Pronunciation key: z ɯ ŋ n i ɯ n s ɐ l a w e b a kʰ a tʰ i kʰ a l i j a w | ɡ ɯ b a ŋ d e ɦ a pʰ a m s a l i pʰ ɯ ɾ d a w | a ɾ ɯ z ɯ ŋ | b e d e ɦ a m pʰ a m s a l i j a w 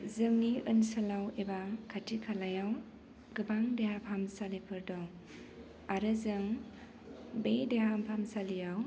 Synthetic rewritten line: z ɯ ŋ n i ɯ n s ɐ l a w e b a kʰ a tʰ i kʰ a l a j a w | ɡ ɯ b a ŋ d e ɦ a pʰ a m s a l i pʰ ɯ ɾ d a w | a ɾ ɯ z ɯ ŋ | b e d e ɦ a m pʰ a m s a l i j a w